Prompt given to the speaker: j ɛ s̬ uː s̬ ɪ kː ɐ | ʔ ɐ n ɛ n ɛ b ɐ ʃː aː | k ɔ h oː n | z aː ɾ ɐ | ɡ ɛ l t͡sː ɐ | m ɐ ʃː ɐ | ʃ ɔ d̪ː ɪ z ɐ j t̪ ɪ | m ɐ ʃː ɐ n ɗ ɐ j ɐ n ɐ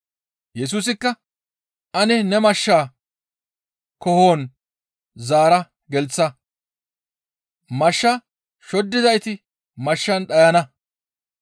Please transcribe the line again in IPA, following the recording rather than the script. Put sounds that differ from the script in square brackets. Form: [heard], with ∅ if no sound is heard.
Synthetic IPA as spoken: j ɛ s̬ uː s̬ ɪ kː ɐ | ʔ ɐ n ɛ n ɛ [m] ɐ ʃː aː | k ɔ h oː n | z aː ɾ ɐ | ɡ ɛ l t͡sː ɐ | m ɐ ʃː ɐ | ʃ ɔ d̪ː ɪ z ɐ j t̪ ɪ | m ɐ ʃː ɐ n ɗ ɐ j ɐ n ɐ